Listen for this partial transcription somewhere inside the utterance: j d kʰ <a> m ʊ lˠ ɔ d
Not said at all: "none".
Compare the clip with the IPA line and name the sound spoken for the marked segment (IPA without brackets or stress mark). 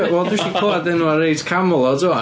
a